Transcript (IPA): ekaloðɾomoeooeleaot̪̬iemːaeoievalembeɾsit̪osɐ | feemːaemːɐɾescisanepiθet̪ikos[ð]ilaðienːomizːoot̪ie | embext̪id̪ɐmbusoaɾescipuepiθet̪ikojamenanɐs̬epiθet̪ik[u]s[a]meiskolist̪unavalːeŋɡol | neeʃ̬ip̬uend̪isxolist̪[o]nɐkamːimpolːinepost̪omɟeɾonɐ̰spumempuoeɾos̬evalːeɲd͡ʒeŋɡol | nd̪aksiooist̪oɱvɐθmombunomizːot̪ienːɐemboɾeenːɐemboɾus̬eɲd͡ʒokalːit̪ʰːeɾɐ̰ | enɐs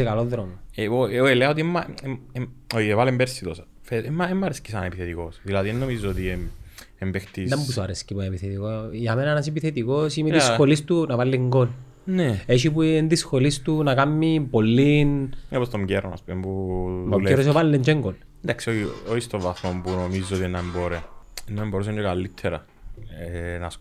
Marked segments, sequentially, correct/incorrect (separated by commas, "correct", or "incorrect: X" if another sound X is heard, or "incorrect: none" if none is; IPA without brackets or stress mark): correct, incorrect: o, incorrect: i, incorrect: u